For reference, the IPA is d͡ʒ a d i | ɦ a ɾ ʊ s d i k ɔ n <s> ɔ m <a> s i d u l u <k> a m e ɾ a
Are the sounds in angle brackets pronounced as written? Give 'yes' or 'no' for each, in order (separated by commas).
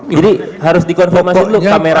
no, yes, yes